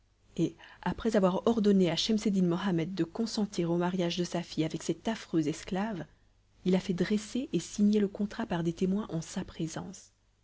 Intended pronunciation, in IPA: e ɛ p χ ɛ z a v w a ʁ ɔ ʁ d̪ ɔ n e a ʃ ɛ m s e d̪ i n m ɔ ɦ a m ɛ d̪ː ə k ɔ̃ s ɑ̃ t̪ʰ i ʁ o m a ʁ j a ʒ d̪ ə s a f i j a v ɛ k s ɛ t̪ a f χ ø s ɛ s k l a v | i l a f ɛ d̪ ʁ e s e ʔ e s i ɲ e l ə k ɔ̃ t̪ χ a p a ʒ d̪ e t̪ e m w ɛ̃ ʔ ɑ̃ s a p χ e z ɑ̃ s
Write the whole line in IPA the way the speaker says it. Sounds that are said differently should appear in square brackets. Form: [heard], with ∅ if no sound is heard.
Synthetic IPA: e [a] p χ ɛ z a v w a ʁ ɔ ʁ d̪ ɔ n e a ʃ ɛ m s e d̪ i n m ɔ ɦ a m ɛ d̪ː ə k ɔ̃ s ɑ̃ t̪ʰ i ʁ o m a ʁ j a ʒ d̪ ə s a f i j a v ɛ k s ɛ t̪ a f χ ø [z] ɛ s k l a v | i l a f ɛ d̪ ʁ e s e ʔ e s i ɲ e l ə k ɔ̃ t̪ χ a p a [ʁ] d̪ e t̪ e m w ɛ̃ ʔ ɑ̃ s a p χ e z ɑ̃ s